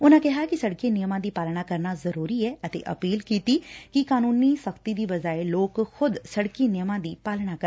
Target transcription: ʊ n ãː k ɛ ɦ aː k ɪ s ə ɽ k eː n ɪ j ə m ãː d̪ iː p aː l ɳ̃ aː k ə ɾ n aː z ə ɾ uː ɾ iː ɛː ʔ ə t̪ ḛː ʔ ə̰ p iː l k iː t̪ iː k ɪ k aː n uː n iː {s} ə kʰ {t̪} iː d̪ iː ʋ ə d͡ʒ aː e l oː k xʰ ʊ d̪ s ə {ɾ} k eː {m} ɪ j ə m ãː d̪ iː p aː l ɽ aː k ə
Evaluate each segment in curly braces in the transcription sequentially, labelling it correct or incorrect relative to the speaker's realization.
correct, correct, incorrect: ɽ, incorrect: n

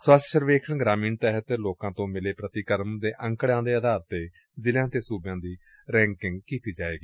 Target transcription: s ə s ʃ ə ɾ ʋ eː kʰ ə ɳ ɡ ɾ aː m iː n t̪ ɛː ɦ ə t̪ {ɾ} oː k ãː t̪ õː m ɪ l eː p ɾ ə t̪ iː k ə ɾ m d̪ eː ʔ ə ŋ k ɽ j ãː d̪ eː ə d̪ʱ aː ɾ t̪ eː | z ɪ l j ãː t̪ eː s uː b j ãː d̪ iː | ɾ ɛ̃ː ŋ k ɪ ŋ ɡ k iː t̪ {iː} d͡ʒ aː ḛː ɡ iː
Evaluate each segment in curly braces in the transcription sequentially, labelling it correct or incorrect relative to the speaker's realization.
incorrect: l, correct

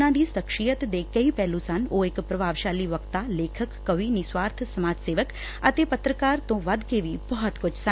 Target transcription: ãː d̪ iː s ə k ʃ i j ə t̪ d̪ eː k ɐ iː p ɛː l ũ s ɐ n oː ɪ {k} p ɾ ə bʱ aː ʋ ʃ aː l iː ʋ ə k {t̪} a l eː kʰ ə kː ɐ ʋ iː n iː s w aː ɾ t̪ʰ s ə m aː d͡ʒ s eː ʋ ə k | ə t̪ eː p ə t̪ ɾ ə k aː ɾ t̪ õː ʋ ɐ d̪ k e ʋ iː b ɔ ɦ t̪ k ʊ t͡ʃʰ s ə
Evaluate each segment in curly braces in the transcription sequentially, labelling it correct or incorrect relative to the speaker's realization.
correct, correct

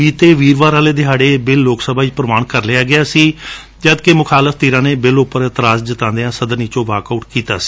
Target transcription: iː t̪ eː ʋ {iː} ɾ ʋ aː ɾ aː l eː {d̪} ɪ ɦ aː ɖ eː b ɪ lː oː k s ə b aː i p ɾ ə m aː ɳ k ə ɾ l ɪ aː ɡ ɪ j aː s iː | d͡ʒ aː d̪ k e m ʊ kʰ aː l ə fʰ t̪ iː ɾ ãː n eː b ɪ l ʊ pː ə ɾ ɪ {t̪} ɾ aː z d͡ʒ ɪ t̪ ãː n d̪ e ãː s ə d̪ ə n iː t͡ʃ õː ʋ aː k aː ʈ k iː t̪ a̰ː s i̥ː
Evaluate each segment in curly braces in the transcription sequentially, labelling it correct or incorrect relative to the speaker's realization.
correct, correct, correct

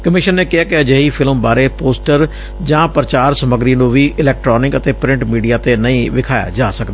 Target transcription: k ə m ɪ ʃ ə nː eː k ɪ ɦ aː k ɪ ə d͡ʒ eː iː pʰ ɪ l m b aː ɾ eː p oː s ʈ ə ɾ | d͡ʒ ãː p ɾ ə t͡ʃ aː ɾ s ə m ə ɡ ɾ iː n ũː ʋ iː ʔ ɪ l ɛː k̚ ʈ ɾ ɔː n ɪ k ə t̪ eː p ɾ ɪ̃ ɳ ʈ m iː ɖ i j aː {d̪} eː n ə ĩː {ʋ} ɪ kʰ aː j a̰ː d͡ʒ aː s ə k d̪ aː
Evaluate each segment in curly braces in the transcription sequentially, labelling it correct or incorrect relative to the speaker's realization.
incorrect: t̪, correct

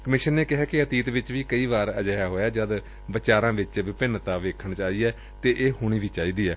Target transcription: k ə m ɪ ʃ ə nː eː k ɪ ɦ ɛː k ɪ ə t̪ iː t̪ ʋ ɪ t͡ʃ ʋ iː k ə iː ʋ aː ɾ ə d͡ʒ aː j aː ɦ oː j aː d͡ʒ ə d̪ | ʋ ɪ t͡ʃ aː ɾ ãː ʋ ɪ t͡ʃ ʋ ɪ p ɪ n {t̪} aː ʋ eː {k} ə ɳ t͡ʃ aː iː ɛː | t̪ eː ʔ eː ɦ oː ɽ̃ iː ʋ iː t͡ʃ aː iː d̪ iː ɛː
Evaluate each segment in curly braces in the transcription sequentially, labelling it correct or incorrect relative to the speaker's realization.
correct, incorrect: kʰ

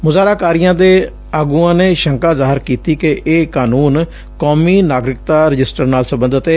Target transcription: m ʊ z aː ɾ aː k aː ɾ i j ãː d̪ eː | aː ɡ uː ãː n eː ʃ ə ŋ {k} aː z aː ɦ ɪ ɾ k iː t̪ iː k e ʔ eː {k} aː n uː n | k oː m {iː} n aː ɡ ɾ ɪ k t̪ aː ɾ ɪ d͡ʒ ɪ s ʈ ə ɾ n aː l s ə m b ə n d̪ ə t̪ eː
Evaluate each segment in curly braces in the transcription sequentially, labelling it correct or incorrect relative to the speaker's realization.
correct, correct, correct

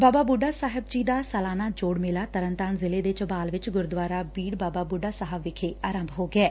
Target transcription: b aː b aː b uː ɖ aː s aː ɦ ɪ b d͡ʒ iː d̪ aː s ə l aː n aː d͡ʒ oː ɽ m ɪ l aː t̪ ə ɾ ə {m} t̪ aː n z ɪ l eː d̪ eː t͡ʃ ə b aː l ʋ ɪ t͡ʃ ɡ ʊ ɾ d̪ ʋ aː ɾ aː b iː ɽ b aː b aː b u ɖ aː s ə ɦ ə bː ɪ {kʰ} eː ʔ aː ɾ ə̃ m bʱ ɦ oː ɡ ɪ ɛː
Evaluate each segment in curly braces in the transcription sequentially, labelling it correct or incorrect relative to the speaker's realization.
incorrect: n, correct

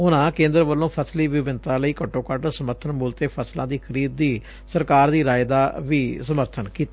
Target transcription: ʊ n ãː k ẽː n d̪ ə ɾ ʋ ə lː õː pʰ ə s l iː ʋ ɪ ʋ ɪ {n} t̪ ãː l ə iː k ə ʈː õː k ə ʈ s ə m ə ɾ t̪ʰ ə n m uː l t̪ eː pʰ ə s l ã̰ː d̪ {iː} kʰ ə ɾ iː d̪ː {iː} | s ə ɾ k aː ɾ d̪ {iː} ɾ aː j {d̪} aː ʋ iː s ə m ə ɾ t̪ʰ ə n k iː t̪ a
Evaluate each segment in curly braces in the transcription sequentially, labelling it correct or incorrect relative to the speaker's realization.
correct, correct, correct, correct, correct

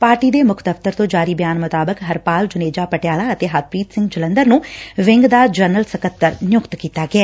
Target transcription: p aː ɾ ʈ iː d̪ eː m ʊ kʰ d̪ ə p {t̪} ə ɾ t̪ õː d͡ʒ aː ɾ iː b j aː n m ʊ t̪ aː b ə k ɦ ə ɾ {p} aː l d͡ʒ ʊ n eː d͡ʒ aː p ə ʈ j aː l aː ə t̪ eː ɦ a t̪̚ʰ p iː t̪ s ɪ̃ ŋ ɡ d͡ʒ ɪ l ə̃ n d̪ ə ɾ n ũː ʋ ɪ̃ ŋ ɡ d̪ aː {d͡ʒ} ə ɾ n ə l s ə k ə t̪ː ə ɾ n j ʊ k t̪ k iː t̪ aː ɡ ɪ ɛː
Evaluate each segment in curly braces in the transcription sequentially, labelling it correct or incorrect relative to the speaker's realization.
correct, correct, correct

